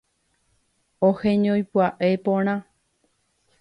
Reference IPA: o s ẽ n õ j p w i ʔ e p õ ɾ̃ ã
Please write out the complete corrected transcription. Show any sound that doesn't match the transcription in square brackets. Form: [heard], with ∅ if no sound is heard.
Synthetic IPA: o [h] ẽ [ɲ] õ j p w [a] ʔ e p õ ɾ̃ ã

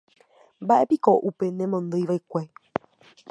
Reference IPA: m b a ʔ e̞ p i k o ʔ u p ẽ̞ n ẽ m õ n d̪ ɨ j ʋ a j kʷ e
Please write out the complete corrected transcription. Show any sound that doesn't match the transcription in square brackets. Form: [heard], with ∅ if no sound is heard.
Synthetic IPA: m b a ʔ e̞ p i k o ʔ u p [e̞] n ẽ m õ n d̪ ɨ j ʋ a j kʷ e

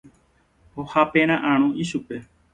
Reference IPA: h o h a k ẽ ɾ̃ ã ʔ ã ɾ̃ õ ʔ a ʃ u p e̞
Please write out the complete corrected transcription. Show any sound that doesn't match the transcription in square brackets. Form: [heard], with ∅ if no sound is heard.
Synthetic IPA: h o h a [p] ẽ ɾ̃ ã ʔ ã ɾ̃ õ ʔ [i] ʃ u p e̞

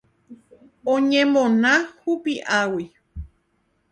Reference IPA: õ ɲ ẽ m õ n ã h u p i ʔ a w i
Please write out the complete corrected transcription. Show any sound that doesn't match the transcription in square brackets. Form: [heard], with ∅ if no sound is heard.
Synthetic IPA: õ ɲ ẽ m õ n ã h u p i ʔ a w i

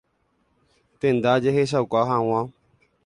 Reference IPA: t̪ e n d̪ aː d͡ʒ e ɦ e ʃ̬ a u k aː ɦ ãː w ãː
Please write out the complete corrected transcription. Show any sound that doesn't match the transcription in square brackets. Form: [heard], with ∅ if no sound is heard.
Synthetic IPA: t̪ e n d̪ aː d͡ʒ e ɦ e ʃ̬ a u k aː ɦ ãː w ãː

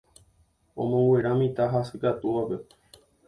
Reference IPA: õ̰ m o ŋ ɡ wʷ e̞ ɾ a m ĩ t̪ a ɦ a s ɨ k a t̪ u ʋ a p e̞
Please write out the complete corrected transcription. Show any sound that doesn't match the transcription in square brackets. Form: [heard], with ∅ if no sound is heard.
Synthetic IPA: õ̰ m [õ] ŋ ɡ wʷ e̞ ɾ a m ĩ t̪ a ɦ a s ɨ k a t̪ u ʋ a p e̞

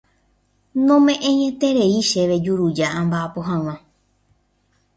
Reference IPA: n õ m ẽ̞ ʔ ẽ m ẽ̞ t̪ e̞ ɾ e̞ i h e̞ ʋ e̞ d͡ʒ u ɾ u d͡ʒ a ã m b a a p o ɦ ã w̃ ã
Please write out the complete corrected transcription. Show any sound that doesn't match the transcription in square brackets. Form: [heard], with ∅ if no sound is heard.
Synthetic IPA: n õ m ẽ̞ ʔ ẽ [ɲ] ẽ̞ t̪ e̞ ɾ e̞ i [ʃ] e̞ ʋ e̞ d͡ʒ u ɾ u d͡ʒ a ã m b a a p o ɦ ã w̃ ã

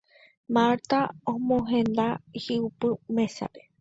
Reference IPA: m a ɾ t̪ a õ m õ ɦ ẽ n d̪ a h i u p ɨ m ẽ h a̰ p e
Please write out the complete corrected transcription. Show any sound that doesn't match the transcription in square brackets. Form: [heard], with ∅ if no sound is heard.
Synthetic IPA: m a ɾ t̪ a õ m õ ɦ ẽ n d̪ a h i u p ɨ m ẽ [s] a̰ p e

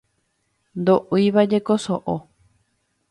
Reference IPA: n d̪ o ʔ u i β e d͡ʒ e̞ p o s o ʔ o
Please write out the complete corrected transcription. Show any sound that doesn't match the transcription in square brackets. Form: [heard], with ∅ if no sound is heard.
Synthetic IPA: n d̪ o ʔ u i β [a] d͡ʒ e̞ [k] o s o ʔ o

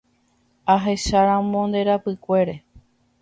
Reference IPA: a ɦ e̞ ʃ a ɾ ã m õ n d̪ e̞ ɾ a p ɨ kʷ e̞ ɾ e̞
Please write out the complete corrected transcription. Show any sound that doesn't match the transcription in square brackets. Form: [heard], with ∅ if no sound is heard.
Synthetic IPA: a ɦ e̞ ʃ a ɾ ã m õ n d̪ e̞ ɾ a p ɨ kʷ e̞ ɾ e̞

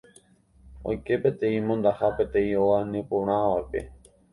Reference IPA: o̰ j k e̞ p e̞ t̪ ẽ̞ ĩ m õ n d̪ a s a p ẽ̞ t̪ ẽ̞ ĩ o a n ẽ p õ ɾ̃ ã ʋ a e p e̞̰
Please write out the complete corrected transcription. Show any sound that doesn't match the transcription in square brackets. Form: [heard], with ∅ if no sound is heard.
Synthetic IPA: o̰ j k e̞ p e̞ t̪ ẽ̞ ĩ m õ n d̪ a [h] a p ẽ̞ t̪ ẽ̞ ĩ o a n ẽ p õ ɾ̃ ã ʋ a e p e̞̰

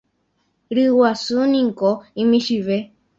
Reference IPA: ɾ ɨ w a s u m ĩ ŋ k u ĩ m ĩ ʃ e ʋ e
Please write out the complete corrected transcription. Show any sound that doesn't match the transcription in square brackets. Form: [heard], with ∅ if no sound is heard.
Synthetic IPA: ɾ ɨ w a s u [n] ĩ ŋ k [o] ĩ m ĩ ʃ [i] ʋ e

